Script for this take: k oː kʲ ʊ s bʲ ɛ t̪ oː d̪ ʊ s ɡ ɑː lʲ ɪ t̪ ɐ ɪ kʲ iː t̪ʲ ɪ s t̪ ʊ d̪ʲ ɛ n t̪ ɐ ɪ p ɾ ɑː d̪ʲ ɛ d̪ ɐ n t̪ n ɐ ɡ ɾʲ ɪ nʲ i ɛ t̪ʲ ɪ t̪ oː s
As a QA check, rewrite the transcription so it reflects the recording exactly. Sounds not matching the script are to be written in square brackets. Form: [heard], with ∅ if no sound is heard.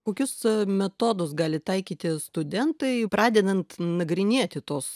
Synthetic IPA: k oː kʲ ʊ s [mʲ] ɛ t̪ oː d̪ ʊ s ɡ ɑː lʲ ɪ t̪ ɐ ɪ kʲ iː t̪ʲ ɪ s t̪ ʊ d̪ʲ ɛ n t̪ ɐ ɪ p ɾ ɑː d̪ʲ ɛ d̪ ɐ n t̪ n ɐ ɡ ɾʲ ɪ nʲ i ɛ t̪ʲ ɪ t̪ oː s